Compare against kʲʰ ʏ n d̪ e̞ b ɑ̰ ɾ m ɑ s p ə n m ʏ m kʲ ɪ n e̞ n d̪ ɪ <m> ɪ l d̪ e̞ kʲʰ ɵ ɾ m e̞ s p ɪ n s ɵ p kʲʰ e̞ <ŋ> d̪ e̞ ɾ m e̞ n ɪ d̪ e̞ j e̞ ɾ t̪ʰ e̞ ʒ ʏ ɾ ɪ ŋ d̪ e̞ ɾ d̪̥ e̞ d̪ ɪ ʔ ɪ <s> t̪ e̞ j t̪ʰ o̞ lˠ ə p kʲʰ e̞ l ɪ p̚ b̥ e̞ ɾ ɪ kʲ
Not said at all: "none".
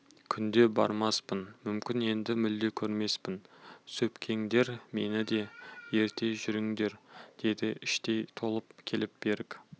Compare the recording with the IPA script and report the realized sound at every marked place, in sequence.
m, ŋ, ʃ

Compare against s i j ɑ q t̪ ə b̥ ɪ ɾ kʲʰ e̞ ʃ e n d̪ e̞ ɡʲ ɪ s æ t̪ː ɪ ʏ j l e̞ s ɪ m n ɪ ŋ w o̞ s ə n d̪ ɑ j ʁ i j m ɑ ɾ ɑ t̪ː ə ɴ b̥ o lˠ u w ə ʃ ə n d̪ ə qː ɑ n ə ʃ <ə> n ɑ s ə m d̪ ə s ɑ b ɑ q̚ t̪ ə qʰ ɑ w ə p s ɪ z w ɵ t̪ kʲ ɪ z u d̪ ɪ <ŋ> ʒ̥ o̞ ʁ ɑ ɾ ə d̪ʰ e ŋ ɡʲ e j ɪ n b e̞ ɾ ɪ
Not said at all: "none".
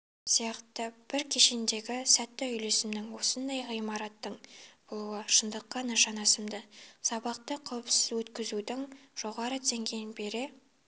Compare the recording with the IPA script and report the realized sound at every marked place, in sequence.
ɑ, ŋ

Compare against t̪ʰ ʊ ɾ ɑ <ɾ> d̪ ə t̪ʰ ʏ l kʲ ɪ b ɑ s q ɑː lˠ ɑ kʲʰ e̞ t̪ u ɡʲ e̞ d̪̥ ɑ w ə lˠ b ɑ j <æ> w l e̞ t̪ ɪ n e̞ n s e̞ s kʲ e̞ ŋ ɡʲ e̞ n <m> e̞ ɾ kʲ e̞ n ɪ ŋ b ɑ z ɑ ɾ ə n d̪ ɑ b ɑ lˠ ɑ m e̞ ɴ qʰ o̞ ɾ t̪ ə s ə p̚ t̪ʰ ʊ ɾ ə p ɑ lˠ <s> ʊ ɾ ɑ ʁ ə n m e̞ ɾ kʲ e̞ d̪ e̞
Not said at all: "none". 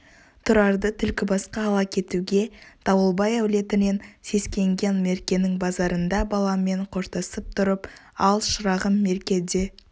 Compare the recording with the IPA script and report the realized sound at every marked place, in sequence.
ɾ, æ, m, ʃ

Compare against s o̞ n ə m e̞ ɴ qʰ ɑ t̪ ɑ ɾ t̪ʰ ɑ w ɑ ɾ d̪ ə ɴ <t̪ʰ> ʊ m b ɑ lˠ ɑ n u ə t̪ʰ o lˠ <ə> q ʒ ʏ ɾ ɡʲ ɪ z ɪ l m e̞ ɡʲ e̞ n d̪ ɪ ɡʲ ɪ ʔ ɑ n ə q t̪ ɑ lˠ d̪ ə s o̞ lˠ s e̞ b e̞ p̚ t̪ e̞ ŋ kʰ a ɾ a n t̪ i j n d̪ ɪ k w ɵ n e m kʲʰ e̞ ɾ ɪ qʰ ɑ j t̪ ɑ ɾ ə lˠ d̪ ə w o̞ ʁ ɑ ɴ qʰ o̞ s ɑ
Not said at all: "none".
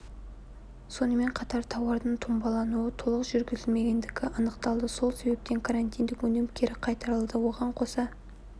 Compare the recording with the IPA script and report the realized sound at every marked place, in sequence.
t̪ʰ, ə

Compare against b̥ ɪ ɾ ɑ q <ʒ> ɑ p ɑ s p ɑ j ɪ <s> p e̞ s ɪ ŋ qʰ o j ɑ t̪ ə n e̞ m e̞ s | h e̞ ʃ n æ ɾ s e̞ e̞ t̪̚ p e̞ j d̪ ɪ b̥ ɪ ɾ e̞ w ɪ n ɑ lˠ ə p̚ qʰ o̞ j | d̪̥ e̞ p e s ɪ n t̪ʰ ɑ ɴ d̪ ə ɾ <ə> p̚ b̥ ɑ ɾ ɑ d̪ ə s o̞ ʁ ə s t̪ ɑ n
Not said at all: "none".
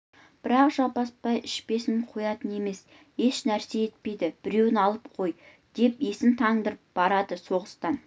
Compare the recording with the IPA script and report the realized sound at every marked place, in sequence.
ʒ, ʃ, ə

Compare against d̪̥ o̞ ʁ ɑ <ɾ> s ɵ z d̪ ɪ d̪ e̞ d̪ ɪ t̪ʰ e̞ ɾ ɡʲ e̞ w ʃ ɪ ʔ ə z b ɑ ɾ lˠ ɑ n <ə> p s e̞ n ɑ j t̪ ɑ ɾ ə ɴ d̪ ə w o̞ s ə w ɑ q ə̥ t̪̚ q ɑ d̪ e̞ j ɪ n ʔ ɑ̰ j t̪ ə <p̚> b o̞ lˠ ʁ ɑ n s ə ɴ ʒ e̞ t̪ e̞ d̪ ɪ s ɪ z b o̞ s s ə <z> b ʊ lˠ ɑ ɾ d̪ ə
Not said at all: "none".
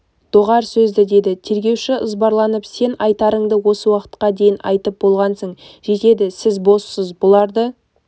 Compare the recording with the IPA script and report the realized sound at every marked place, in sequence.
ɾ, ə, p̚, z

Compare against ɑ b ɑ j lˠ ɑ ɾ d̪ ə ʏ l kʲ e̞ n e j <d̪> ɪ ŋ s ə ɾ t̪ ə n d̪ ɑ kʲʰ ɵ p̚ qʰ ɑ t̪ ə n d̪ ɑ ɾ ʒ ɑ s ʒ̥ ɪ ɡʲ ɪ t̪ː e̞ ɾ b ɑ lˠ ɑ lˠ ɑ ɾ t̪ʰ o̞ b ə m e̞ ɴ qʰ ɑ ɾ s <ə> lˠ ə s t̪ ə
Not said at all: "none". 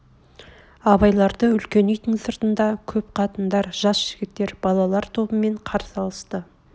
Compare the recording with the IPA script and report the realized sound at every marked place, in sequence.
t̪, ɑ

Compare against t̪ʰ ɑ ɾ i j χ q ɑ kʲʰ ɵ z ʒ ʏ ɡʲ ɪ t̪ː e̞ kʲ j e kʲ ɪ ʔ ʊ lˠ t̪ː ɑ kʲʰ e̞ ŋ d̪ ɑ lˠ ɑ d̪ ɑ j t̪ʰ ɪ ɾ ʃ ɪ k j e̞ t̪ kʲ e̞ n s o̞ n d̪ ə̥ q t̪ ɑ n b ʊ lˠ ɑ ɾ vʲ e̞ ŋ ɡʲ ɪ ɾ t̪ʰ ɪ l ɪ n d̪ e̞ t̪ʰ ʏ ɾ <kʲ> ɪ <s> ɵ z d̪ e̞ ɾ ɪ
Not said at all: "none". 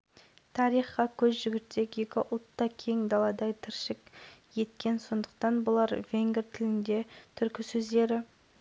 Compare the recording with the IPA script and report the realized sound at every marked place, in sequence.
kʲ, s

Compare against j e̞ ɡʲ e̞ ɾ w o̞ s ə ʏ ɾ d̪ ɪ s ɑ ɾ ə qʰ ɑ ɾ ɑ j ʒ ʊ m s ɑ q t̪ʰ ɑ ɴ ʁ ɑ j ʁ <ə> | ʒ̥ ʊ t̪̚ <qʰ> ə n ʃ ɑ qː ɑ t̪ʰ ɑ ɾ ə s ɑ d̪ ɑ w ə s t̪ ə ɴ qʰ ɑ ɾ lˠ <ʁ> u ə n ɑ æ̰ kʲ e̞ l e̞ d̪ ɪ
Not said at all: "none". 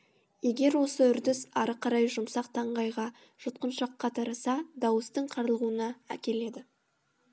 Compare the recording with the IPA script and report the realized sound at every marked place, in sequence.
ɑ, q, ʁ

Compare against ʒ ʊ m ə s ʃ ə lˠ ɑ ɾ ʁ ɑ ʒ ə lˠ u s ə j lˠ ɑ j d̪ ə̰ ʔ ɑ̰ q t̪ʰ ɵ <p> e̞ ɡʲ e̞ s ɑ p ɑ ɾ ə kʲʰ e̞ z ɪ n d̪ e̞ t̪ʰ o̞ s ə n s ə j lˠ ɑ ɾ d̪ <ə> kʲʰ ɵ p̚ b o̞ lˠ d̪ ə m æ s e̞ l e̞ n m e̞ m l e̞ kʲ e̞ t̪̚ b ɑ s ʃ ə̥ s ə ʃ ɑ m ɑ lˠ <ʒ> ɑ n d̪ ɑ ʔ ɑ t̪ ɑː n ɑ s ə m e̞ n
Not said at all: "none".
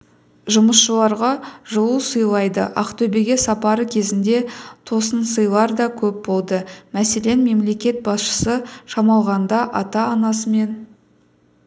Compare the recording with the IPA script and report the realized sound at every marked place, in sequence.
b, ɑ, ʁ

